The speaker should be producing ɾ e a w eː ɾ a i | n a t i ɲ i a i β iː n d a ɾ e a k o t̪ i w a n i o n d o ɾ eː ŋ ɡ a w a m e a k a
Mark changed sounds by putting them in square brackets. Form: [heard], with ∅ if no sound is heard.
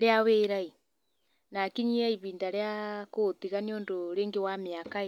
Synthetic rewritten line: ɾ e a w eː ɾ a i | n a [k] i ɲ i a i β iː n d a ɾ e a k o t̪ i [ɣ] a n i o n d o ɾ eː ŋ ɡ [e] w a m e a k a